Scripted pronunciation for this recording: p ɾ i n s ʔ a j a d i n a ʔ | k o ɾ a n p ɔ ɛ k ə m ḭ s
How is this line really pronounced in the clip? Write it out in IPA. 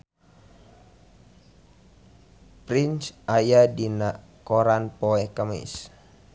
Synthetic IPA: p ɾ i n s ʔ a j a d i n a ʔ | k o ɾ a n p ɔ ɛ k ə m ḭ s